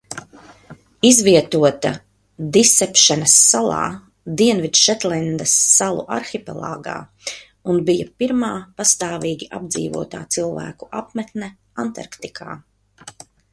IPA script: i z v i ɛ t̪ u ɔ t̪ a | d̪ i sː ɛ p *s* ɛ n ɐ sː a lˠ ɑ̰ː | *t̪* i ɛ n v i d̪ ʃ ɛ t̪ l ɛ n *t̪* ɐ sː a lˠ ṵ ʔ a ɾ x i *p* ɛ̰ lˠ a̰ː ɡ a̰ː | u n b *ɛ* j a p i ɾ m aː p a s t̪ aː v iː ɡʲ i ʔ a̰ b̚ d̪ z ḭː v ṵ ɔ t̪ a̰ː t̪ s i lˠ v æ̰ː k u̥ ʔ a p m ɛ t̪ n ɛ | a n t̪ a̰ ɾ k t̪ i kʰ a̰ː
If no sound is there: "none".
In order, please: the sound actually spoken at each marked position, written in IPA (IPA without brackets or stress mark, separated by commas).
ʃ, d̪, d̪, p, i